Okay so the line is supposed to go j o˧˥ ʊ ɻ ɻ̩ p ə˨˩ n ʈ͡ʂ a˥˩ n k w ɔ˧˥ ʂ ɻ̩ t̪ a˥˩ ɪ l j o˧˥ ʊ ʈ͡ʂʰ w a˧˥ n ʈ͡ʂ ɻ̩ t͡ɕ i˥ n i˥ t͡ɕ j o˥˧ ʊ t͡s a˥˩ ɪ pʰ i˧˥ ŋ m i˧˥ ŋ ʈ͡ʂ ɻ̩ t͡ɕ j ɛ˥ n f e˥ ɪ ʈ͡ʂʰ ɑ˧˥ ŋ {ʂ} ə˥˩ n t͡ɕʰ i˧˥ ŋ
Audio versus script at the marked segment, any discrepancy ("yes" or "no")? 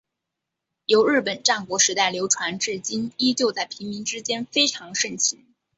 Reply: no